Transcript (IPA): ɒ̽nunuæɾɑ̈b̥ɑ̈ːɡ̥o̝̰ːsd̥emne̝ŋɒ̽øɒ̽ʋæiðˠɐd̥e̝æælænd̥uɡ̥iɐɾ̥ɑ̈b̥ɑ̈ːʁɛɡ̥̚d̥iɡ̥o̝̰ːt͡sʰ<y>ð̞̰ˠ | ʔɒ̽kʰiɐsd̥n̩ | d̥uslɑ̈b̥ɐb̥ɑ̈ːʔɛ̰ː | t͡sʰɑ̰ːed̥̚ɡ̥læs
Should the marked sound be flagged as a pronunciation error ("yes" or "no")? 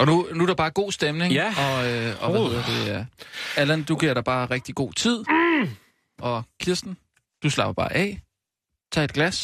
yes